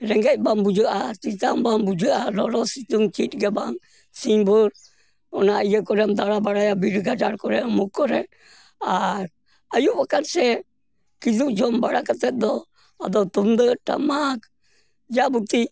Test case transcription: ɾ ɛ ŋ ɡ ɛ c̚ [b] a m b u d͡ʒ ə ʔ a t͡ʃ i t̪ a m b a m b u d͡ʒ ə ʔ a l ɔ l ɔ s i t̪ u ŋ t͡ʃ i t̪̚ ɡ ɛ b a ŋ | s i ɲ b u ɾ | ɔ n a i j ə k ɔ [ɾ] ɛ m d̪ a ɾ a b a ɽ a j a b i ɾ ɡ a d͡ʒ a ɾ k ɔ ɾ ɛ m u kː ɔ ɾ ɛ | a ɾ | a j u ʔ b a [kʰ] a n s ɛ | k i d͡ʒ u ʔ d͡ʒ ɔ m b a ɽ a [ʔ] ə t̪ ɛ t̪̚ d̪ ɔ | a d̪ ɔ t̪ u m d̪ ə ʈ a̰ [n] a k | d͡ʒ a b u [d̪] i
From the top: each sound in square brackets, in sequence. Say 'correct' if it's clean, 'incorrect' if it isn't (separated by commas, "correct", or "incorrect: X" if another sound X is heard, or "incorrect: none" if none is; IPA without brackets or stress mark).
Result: correct, correct, incorrect: k, incorrect: k, incorrect: m, incorrect: t̪